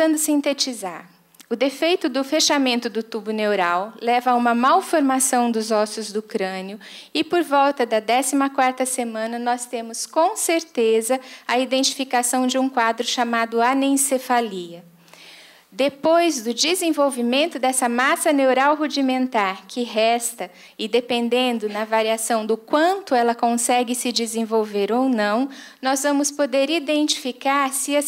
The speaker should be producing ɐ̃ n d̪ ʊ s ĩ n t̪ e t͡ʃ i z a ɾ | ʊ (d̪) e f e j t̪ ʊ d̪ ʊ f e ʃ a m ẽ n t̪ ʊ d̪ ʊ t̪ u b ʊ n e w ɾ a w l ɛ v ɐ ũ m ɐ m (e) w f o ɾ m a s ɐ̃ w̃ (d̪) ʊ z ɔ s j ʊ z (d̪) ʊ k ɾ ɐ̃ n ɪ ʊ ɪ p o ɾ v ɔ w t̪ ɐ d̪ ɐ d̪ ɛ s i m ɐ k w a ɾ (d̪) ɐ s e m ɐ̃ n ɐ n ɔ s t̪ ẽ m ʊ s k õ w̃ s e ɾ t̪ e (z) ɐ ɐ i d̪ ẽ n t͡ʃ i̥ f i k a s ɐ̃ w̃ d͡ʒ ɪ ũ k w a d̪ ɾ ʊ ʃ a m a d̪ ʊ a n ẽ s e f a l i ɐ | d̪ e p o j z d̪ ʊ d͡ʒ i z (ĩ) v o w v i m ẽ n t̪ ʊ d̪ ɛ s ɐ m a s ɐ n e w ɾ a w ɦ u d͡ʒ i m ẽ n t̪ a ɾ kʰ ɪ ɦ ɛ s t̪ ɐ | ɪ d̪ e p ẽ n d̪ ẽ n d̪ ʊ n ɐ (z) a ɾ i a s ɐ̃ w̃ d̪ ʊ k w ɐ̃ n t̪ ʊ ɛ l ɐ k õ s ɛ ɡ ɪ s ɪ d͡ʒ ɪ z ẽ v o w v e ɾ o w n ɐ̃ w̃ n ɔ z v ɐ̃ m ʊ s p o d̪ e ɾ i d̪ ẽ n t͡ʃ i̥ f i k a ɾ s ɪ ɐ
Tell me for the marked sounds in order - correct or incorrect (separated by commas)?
correct, incorrect, correct, correct, incorrect, correct, incorrect, incorrect